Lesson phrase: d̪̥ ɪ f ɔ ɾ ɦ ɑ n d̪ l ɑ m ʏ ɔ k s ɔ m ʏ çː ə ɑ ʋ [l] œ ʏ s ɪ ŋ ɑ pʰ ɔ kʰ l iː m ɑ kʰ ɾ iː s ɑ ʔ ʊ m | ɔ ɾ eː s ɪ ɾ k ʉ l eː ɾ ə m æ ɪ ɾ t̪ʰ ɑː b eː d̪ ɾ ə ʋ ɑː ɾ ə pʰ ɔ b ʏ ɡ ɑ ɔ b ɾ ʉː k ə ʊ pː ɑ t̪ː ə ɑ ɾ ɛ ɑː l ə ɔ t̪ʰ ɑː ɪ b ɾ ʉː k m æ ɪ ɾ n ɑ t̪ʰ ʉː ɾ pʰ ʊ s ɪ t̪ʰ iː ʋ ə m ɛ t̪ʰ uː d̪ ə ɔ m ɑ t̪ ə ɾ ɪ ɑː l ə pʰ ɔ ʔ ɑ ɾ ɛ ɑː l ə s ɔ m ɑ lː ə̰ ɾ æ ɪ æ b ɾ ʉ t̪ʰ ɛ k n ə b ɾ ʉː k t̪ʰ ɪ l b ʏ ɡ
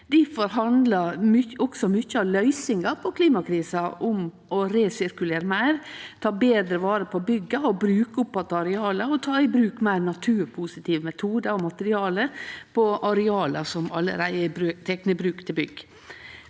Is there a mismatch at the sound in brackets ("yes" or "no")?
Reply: no